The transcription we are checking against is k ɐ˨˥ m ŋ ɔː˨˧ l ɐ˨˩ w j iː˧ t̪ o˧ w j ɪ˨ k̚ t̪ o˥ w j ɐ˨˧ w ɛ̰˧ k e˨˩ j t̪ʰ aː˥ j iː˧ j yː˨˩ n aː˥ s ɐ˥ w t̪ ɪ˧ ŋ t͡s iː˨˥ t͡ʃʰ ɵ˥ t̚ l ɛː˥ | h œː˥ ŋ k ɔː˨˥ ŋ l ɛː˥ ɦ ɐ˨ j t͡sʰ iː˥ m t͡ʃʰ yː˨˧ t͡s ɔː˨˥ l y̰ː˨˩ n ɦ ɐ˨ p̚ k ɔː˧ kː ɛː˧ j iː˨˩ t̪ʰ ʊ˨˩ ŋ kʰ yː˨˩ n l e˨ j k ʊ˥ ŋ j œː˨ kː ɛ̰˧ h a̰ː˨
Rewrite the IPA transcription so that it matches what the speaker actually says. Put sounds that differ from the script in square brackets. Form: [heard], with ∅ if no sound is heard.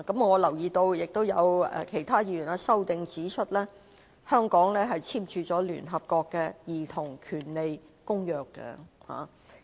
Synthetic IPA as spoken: k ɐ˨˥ m ŋ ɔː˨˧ l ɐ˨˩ w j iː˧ t̪ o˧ w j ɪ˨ k̚ t̪ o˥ w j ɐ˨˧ w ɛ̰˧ [kʰ] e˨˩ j t̪ʰ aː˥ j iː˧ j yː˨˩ n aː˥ s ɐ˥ w t̪ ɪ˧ ŋ t͡s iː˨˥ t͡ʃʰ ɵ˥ t̚ l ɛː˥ | h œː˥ ŋ k ɔː˨˥ ŋ l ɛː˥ ɦ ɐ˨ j t͡sʰ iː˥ m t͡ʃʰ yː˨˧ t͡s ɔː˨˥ l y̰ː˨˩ n ɦ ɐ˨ p̚ k ɔː˧ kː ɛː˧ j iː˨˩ t̪ʰ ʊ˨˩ ŋ kʰ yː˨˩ n l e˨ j k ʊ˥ ŋ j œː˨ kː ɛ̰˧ h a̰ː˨